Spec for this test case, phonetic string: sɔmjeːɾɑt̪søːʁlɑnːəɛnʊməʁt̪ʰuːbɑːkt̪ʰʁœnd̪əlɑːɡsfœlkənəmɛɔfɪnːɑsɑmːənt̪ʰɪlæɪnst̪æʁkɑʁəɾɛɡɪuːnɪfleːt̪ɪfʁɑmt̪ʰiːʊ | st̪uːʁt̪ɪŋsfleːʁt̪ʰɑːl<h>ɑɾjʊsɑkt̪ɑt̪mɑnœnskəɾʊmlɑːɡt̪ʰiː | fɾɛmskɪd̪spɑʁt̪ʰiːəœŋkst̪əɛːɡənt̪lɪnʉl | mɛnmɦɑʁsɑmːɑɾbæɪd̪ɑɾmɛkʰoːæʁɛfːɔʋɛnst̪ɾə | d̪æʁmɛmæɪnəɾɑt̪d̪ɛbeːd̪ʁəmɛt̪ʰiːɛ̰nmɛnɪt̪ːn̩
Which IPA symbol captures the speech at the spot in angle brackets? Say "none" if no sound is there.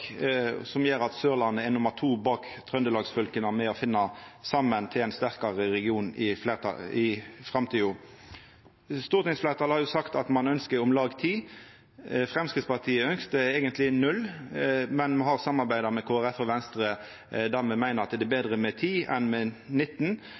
h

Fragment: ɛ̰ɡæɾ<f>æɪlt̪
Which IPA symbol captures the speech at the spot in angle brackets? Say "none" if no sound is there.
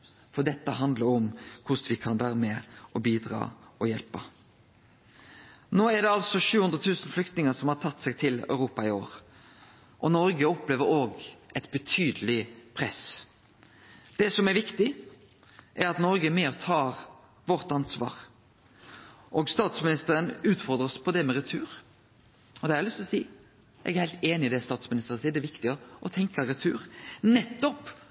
h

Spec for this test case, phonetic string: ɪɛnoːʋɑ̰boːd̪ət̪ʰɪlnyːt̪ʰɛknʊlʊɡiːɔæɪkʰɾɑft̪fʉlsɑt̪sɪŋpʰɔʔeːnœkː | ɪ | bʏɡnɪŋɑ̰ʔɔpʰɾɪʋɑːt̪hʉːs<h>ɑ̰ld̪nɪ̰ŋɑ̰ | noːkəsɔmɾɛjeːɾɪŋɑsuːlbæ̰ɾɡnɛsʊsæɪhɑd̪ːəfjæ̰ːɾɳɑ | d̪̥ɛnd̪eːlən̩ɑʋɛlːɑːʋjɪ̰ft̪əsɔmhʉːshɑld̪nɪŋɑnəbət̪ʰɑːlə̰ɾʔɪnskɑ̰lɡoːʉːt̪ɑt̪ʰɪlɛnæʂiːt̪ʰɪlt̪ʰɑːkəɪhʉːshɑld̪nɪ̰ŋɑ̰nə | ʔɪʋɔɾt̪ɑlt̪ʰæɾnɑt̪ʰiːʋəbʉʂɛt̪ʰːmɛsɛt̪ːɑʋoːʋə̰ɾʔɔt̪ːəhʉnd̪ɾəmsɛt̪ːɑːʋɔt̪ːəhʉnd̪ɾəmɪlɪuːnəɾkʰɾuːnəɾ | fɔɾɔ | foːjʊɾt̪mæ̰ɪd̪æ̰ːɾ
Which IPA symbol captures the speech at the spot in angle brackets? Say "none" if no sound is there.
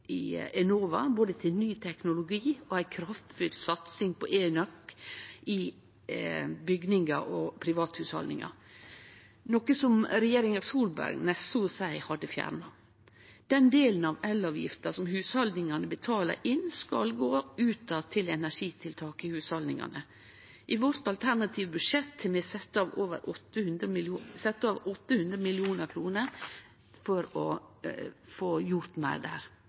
h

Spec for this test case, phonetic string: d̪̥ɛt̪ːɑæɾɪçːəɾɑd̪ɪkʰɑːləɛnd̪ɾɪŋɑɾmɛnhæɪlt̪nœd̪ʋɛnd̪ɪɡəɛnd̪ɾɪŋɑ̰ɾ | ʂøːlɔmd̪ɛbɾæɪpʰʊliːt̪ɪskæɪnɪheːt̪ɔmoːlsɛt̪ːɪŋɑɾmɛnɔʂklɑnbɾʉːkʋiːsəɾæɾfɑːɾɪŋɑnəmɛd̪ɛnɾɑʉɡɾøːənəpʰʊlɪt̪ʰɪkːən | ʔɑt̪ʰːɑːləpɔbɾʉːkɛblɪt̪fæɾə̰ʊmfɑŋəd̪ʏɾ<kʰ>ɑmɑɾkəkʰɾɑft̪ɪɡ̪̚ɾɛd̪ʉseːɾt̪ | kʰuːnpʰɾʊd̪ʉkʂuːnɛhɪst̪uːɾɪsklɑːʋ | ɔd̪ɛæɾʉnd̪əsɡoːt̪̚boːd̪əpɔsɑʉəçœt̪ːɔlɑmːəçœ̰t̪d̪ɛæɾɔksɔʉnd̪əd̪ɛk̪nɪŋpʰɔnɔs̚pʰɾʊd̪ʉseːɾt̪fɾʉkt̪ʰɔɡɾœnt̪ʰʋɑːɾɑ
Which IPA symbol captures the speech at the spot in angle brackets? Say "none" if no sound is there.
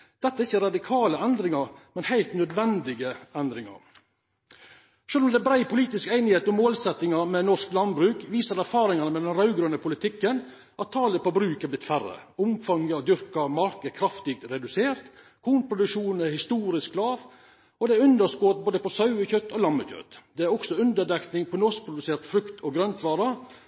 k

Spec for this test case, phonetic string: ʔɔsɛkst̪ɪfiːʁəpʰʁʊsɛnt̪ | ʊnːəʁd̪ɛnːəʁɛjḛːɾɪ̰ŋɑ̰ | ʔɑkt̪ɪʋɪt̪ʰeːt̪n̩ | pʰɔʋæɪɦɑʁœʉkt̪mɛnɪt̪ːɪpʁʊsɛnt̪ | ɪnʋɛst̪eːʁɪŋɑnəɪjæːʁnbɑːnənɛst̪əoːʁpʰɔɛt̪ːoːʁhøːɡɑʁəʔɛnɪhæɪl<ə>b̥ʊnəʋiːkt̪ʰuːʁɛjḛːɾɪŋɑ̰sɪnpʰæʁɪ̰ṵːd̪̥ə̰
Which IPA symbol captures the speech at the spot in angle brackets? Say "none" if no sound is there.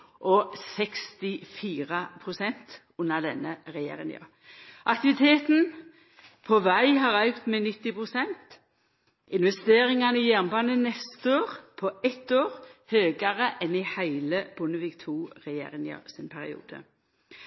ə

